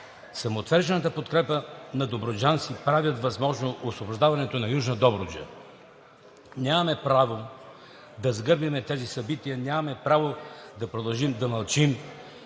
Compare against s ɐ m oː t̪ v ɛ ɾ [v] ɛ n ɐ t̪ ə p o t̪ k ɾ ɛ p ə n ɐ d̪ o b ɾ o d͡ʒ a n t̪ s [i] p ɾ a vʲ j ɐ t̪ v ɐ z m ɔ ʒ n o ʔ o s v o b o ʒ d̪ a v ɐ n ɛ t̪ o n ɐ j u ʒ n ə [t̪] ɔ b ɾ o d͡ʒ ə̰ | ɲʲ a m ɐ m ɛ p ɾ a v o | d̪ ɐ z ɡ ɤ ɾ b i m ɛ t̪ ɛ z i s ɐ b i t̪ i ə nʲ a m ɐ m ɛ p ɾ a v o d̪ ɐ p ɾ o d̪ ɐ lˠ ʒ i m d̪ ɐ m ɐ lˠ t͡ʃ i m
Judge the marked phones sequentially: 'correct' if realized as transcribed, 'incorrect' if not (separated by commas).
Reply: incorrect, correct, incorrect